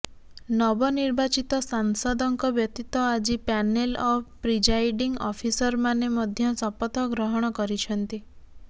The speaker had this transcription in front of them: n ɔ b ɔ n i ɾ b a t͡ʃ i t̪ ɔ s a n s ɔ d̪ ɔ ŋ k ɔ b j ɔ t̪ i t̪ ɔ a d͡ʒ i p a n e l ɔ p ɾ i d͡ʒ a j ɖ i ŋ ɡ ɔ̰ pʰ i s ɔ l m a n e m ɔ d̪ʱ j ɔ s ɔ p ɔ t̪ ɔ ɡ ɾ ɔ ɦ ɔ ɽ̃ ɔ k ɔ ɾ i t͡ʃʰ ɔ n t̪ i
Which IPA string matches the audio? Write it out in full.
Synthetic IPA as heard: n ɔ b ɔ n i ɾ b a t͡ʃ i t̪ ɔ s a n s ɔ d̪ ɔ ŋ k ɔ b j ɔ t̪ i t̪ ɔ a d͡ʒ i p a n e l ɔ p ɾ i d͡ʒ a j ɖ i ŋ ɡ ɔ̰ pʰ i s ɔ ɾ m a n e m ɔ d̪ʱ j ɔ s ɔ p ɔ t̪ ɔ ɡ ɾ ɔ ɦ ɔ ɽ̃ ɔ k ɔ ɾ i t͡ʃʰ ɔ n t̪ i